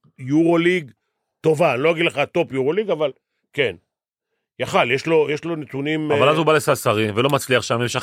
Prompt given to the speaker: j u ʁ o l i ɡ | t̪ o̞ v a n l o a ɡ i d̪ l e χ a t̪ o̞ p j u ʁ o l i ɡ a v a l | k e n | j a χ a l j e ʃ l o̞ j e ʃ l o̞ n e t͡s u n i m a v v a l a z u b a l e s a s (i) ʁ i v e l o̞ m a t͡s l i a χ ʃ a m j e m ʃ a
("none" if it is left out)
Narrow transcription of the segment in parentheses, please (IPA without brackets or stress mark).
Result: a